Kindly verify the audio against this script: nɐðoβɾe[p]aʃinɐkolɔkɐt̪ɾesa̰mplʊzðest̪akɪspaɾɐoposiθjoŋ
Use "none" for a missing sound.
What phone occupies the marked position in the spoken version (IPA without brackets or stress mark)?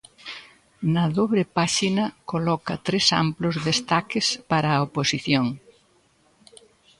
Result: p